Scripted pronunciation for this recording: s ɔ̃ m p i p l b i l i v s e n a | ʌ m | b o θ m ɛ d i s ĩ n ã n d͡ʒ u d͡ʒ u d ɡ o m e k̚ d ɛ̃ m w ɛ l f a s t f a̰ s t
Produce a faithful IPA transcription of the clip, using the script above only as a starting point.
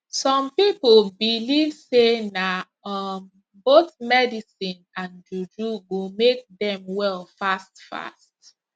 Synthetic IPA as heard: s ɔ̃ m p i p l b i l i v s e n a | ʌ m | b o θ m ɛ d i s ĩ n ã n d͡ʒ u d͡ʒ u ɡ o m e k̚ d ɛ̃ m w ɛ l f a s t f a̰ s t